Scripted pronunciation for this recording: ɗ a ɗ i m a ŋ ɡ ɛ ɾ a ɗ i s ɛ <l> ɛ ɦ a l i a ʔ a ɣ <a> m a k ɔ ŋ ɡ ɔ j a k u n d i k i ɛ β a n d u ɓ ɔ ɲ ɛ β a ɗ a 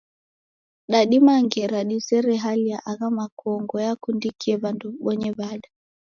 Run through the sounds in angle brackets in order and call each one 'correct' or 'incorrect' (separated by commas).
incorrect, correct